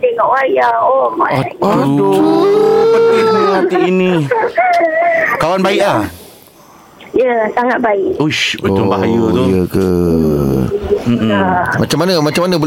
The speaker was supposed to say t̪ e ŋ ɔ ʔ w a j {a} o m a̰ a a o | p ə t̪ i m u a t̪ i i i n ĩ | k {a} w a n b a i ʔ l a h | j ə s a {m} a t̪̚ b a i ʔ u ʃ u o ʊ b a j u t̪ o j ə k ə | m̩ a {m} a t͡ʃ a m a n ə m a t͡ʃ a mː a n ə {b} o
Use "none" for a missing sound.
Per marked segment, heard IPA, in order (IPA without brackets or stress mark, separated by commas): a, a, ŋ, m, b